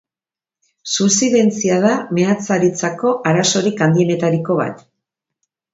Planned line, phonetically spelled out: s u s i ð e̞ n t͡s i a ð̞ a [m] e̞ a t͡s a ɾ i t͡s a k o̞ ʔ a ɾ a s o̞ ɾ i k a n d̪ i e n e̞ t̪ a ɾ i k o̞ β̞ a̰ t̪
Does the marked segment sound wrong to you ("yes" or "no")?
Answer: no